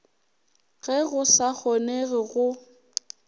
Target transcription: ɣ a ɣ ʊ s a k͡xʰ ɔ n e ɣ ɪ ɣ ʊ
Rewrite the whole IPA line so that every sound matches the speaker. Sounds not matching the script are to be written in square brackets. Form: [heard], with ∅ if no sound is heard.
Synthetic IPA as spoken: ɣ [ɛ] ɣ ʊ s a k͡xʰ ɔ n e ɣ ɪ ɣ ʊ